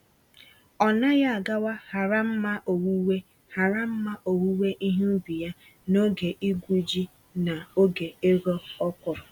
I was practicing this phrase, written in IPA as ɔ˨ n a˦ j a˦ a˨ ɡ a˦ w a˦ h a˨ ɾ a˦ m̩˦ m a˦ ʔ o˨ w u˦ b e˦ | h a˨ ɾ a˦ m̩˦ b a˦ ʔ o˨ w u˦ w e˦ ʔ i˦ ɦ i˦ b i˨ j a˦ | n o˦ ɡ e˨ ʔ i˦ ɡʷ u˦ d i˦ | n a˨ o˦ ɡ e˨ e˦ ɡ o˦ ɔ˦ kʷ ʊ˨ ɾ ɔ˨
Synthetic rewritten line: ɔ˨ n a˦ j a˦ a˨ ɡ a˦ w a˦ h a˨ ɾ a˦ m̩˦ m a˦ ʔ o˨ w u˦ w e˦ | h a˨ ɾ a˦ m̩˦ m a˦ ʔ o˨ w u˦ w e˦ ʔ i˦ ɦ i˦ b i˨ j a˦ | n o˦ ɡ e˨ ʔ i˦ ɡʷ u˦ d͡ʒ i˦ | n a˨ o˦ ɡ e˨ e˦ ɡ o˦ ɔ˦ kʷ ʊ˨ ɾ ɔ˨